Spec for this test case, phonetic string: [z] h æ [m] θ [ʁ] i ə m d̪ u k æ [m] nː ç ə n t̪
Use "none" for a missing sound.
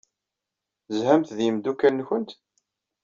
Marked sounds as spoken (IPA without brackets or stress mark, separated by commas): z, m, ð, none